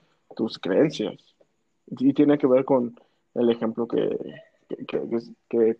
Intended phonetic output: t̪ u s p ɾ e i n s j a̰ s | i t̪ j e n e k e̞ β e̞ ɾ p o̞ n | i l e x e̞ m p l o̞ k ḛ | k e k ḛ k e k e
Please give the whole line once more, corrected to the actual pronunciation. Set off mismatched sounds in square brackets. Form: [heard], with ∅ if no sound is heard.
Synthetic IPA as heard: t̪ u s [k] ɾ e [e] n s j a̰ s | i t̪ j e n e k e̞ β e̞ ɾ [k] o̞ n | [e] l e x e̞ m p l o̞ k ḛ | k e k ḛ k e k e